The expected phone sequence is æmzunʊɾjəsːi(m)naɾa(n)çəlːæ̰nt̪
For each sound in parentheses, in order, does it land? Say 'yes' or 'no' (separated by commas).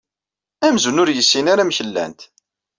no, no